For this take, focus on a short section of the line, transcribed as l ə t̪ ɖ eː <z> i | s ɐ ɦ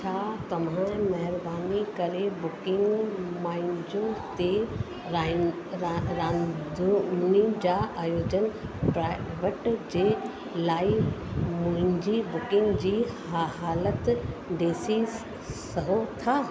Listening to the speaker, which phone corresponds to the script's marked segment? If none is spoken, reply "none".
s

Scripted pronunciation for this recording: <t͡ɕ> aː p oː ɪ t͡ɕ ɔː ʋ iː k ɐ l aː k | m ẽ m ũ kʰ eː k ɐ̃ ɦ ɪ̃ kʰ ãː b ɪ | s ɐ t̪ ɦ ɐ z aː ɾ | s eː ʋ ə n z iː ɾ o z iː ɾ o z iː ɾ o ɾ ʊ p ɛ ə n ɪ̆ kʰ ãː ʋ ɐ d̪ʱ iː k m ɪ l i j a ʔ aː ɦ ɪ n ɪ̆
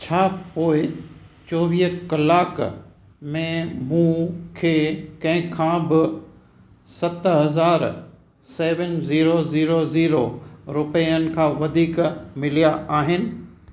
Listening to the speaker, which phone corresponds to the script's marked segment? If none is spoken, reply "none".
t͡ɕʰ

